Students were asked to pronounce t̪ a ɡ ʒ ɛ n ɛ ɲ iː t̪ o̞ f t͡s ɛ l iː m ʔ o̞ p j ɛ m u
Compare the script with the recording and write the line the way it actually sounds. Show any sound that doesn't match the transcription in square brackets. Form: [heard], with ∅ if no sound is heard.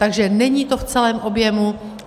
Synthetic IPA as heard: t̪ a ɡ ʒ ɛ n ɛ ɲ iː t̪ o̞ f t͡s ɛ l [ɛː] m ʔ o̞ [b] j ɛ m u